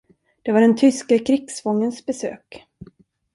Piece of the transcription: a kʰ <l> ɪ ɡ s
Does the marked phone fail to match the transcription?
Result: yes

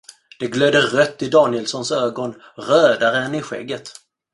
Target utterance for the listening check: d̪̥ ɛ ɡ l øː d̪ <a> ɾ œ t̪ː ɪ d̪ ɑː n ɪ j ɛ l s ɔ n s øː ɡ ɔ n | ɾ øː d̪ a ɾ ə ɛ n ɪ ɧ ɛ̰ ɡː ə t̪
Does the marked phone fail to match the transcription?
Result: yes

